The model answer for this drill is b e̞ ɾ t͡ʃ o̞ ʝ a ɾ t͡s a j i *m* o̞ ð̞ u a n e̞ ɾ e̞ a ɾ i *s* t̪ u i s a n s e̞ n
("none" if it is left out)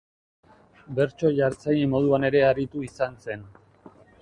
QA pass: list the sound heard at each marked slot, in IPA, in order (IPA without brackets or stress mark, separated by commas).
m, none